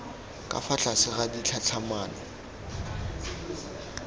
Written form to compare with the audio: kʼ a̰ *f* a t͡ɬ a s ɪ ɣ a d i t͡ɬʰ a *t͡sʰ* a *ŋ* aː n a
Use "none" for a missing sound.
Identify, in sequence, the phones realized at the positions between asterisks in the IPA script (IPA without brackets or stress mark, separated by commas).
f, t͡sʰ, m